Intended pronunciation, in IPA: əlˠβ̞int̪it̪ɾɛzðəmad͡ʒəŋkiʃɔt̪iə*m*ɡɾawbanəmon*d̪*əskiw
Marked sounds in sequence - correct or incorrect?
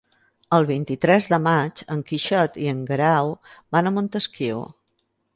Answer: incorrect: ŋ, incorrect: t̪

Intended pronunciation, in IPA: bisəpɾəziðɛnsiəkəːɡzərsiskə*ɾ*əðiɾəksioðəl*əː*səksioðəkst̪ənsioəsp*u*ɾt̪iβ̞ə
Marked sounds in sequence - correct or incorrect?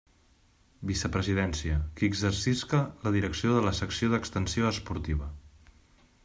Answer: incorrect: l, incorrect: ə, correct

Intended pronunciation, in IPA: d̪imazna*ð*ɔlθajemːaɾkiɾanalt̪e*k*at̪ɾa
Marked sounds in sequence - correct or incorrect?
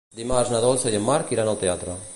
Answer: correct, incorrect: none

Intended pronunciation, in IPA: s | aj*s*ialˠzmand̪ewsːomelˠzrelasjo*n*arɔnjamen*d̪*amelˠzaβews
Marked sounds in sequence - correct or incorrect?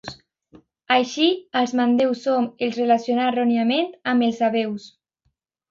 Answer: incorrect: ʃ, correct, incorrect: t̪

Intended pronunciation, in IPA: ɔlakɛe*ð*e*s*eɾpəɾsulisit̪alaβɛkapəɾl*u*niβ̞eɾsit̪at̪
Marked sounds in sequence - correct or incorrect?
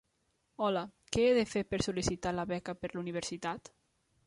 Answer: correct, incorrect: f, correct

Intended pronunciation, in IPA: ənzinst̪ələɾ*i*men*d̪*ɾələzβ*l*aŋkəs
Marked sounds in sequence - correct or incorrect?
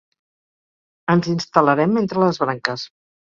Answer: incorrect: ɛ, incorrect: t̪, incorrect: ɾ

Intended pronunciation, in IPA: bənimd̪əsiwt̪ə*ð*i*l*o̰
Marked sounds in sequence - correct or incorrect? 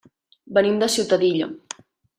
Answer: correct, incorrect: ʎ

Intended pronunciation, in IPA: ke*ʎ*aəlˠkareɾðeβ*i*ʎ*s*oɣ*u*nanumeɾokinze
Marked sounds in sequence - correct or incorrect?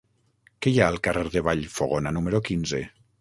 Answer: incorrect: j, incorrect: a, incorrect: f, incorrect: o

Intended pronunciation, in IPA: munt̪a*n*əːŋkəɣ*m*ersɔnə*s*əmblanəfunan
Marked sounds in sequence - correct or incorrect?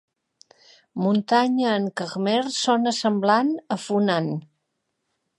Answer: incorrect: ɲ, correct, correct

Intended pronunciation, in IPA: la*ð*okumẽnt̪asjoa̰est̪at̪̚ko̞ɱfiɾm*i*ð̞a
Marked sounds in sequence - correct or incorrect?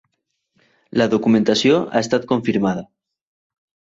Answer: correct, incorrect: a

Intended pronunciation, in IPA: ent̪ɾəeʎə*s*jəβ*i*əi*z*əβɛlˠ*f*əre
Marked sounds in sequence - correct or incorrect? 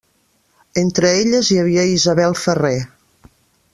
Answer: incorrect: z, correct, correct, correct

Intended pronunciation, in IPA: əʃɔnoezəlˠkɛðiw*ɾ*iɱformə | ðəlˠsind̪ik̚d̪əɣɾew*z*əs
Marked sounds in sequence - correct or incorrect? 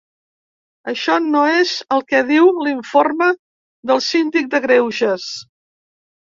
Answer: incorrect: l, incorrect: ʒ

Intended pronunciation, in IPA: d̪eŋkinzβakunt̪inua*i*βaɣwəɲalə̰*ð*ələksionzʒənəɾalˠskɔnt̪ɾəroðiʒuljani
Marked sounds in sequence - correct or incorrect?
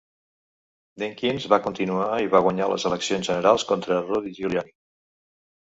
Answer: correct, incorrect: z

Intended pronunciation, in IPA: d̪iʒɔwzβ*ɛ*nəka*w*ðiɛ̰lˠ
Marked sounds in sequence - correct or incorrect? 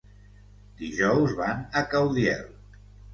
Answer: incorrect: a, correct

